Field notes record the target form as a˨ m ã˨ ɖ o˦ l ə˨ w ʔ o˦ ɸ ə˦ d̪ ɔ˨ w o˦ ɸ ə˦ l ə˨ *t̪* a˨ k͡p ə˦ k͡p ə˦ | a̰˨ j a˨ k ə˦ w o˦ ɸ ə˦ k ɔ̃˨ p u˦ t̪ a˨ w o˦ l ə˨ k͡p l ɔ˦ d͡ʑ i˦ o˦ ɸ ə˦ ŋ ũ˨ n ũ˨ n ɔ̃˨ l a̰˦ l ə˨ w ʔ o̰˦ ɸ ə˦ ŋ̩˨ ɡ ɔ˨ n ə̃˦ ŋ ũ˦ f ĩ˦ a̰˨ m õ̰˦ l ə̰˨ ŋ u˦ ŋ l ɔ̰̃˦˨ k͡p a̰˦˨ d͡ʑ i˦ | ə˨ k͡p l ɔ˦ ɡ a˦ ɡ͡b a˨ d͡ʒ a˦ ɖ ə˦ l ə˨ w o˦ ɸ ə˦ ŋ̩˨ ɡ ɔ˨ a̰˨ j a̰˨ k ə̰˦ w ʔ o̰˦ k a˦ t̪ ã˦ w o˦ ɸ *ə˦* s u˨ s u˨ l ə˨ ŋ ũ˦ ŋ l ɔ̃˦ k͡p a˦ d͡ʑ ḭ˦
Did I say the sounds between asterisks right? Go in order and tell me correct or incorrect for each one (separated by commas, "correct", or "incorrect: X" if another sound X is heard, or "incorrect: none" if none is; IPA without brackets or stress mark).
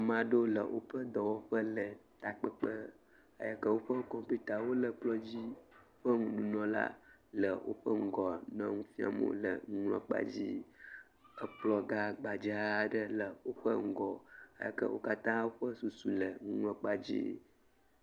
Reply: correct, correct